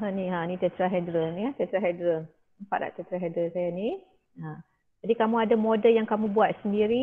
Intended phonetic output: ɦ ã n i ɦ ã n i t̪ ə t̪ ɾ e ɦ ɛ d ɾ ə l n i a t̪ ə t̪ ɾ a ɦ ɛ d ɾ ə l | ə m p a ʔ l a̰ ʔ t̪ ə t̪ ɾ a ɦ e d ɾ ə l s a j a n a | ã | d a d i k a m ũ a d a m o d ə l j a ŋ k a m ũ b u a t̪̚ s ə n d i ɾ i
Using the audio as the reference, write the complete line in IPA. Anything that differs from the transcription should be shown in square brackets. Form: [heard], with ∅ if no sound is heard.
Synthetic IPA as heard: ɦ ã n i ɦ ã n i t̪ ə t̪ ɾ [a] ɦ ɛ d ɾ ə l n i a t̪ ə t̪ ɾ a ɦ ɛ d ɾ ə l | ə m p a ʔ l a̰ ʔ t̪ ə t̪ ɾ a ɦ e d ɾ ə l s a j a n [i] | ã | [d͡ʒ] a d i k a m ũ a d a m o d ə l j a ŋ k a m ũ b u a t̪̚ s ə n d i ɾ i